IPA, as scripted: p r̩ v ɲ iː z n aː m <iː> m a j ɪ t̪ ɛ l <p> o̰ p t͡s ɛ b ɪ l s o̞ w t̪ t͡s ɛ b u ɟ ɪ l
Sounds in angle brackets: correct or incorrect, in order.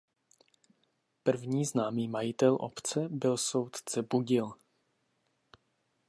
correct, incorrect

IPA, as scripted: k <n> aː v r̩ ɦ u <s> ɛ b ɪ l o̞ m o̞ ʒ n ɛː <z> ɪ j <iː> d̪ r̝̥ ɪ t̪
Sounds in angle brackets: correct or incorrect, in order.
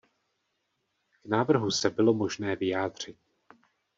correct, correct, incorrect, incorrect

